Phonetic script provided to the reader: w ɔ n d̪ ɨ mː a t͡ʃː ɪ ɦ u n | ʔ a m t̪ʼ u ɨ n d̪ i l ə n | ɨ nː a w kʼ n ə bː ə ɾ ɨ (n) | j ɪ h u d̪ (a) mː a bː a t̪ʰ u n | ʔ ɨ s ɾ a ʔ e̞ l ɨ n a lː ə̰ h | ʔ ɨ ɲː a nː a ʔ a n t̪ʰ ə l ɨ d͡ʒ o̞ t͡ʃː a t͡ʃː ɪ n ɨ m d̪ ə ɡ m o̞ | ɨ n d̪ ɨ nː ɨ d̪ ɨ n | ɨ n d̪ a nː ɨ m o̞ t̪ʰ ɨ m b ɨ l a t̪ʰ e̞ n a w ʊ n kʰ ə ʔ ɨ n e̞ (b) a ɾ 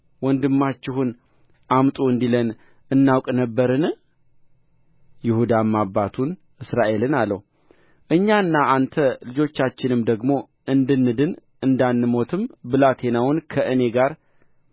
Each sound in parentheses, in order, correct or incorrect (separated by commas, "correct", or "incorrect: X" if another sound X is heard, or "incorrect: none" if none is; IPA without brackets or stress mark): correct, correct, incorrect: ɡ